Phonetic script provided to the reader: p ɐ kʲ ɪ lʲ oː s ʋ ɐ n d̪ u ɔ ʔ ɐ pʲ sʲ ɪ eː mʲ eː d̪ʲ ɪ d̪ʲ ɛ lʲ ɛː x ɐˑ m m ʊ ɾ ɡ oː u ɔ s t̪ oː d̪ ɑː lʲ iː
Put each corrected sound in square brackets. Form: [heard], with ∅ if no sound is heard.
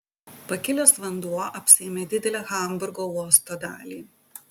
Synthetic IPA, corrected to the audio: p ɐ kʲ ɪ lʲ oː s ʋ ɐ n d̪ u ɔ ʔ ɐ pʲ sʲ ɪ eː mʲ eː d̪ʲ ɪ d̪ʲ ɛ lʲ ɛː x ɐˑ m [b] ʊ ɾ ɡ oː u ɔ s t̪ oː d̪ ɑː lʲ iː